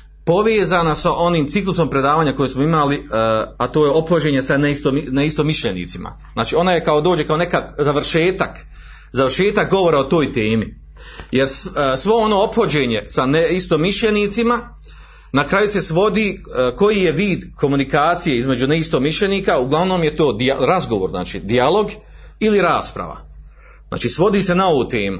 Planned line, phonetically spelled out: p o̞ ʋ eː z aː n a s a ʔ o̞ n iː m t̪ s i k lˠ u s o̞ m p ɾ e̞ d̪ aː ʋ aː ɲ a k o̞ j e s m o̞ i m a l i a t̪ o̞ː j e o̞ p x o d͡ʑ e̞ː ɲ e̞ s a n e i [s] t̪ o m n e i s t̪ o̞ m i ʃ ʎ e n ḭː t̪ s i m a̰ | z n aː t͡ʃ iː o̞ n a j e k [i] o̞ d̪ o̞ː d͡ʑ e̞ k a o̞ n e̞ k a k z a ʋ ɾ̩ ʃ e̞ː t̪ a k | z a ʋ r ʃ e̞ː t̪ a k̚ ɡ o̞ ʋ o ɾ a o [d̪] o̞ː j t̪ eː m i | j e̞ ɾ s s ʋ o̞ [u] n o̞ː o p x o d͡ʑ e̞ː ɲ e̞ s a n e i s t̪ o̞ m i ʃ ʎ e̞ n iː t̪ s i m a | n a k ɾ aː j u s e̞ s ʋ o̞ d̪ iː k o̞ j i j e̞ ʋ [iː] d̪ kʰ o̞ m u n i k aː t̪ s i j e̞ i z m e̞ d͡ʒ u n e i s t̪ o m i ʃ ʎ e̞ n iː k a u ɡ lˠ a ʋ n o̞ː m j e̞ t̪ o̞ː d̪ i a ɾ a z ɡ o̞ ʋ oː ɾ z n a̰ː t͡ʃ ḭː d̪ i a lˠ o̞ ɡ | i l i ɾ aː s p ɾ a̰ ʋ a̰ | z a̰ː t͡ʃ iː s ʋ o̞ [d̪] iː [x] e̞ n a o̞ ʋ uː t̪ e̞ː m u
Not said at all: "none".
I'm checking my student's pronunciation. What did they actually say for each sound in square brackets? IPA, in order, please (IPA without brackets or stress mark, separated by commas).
s, a, t̪, o, iː, d̪, s